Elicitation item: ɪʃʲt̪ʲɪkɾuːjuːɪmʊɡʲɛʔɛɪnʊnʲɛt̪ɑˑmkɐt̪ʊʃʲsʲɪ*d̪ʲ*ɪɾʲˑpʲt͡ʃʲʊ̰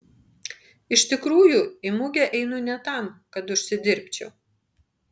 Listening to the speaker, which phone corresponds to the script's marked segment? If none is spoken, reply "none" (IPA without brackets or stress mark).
d̪ʲ